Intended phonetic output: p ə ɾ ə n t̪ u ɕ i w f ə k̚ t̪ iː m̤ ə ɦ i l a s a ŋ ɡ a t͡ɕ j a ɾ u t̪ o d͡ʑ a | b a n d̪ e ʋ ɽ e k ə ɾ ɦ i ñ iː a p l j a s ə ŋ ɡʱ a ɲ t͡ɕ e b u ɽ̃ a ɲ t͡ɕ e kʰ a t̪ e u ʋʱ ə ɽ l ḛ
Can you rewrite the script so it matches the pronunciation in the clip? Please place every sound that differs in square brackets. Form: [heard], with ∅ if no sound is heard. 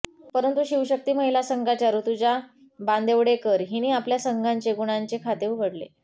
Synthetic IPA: p ə ɾ ə n t̪ u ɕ i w [ɕ] ə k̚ t̪ iː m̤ ə ɦ i l a s [ə] ŋ ɡ a t͡ɕ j a ɾ u t̪ [u] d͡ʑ a | b a n d̪ e ʋ ɽ e k ə ɾ ɦ i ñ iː a p l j a s ə ŋ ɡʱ a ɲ t͡ɕ e [ɡ] u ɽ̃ a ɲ t͡ɕ e kʰ a t̪ e u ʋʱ ə ɽ l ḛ

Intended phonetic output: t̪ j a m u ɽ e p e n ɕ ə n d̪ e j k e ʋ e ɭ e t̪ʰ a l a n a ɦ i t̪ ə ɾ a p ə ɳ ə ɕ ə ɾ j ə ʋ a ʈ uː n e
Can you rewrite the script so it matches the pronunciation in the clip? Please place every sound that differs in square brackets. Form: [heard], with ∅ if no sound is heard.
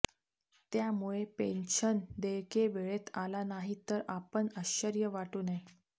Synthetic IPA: t̪ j a m u [ɭ] e p e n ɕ ə n d̪ e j k e ʋ e ɭ e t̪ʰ a l a n a ɦ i t̪ ə ɾ a p ə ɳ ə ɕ ə ɾ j ə ʋ a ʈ uː n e

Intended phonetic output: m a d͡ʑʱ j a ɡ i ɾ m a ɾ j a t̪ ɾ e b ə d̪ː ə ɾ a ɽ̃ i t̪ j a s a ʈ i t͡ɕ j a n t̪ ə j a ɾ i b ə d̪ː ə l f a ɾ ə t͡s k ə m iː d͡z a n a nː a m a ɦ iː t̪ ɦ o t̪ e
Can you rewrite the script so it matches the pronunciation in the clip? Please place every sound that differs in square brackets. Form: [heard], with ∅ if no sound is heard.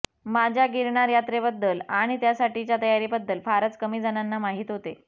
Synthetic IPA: m a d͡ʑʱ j a ɡ i ɾ [ɳ] a ɾ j a t̪ ɾ e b ə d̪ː ə [l] a ɽ̃ i t̪ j a s a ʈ i t͡ɕ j a [∅] t̪ ə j a ɾ i b ə d̪ː ə l f a ɾ ə t͡s k ə m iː d͡z a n a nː a m a ɦ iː t̪ ɦ o t̪ e

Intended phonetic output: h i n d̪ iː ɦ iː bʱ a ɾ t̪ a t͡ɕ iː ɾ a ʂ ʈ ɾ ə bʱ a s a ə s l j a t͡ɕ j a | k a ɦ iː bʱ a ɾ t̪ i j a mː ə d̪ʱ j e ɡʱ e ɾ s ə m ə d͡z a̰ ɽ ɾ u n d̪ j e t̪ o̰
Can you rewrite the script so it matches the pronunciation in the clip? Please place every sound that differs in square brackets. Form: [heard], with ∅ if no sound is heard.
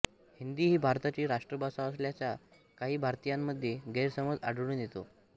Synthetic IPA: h i n d̪ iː ɦ iː bʱ a ɾ t̪ a t͡ɕ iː ɾ a ʂ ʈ ɾ ə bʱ a s a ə s l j a t͡ɕ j a | k a ɦ iː bʱ a ɾ t̪ i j a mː ə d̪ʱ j e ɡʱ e ɾ s ə m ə d͡z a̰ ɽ [ɽ] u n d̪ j e t̪ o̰

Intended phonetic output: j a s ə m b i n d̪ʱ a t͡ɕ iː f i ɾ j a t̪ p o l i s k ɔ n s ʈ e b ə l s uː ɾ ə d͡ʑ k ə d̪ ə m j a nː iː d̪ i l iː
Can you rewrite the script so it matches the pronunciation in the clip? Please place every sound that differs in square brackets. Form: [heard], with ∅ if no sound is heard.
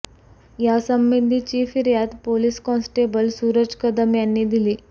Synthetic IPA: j a s ə m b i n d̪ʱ [i] t͡ɕ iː f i ɾ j a t̪ p o l i s k ɔ n s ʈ e b ə l s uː ɾ ə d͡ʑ k ə d̪ ə m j a nː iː d̪ i l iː

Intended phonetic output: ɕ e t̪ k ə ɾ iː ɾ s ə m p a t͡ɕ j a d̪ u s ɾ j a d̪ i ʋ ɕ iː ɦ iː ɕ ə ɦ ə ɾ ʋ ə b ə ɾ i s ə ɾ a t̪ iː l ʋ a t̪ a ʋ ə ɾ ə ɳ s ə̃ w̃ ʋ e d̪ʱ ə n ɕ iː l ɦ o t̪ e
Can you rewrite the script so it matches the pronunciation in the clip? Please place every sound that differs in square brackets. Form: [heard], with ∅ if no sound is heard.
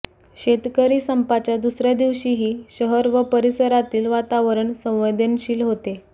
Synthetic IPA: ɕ e t̪ k ə ɾ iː [∅] s ə m p a t͡ɕ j a d̪ u s ɾ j a d̪ i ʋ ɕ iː ɦ iː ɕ ə ɦ ə ɾ ʋ ə [p] ə ɾ i s ə ɾ a t̪ iː l ʋ a t̪ a ʋ ə ɾ ə ɳ s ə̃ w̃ ʋ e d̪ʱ ə n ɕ iː l ɦ o t̪ e

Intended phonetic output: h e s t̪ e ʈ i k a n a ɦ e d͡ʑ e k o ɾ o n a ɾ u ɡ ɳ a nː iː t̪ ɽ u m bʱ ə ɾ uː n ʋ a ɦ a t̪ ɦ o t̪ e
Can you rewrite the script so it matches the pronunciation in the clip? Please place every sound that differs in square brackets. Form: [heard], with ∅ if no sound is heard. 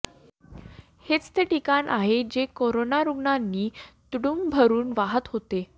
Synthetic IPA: h e [t͡s] t̪ e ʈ i k a n a ɦ e d͡ʑ e k o ɾ o n a ɾ u ɡ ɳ a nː iː t̪ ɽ u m bʱ ə ɾ uː n ʋ a ɦ [ə] t̪ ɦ o t̪ e

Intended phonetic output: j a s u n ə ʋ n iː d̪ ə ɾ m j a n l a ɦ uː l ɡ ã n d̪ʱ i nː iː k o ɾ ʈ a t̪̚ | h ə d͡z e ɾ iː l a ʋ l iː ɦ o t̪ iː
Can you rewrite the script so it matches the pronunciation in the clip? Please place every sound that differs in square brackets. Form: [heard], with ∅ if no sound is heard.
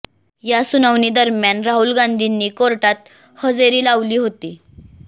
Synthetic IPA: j a s u n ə ʋ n iː d̪ ə ɾ m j a n [ɾ] a ɦ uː l ɡ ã n d̪ʱ i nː iː k o ɾ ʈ a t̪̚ | h ə d͡z e ɾ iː l a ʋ l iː ɦ o t̪ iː

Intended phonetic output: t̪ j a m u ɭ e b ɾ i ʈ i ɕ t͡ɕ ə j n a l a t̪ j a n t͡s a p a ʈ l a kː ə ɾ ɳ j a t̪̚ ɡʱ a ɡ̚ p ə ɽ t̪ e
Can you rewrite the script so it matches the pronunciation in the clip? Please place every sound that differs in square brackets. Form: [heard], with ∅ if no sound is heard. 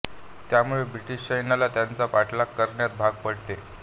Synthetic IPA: t̪ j a m u ɭ e b ɾ i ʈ i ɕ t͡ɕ ə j n a l a t̪ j a n t͡s a p a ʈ l a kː ə ɾ ɳ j a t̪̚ [bʱ] a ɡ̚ p ə ɽ t̪ e

